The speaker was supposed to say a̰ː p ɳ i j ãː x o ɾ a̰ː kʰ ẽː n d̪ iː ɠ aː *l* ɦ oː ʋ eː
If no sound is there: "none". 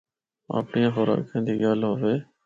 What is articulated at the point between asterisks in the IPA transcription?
l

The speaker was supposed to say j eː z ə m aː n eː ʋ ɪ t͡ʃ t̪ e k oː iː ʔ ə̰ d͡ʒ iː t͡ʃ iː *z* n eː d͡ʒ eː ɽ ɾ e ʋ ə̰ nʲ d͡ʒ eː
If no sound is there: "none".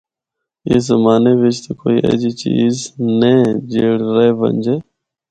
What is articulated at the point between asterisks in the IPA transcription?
z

